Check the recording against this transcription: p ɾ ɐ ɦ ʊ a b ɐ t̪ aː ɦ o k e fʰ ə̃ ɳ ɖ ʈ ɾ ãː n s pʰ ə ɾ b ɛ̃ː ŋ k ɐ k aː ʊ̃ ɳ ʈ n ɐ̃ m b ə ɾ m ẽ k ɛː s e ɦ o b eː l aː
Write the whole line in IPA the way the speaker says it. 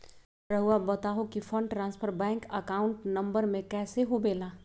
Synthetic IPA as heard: p ɾ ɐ ɦ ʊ a b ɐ t̪ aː ɦ o k i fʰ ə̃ ɳ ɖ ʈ ɾ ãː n s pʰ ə ɾ b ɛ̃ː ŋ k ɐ k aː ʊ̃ ɳ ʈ n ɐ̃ m b ə ɾ m ẽ k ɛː s e ɦ o b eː l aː

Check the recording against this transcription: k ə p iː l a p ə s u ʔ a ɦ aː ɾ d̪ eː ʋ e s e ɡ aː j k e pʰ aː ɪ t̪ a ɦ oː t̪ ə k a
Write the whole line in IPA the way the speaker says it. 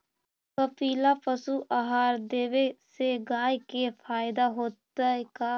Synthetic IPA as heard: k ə p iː l a p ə s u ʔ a ɦ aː ɾ d̪ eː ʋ e s e ɡ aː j k e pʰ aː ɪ d̪ a ɦ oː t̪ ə k a

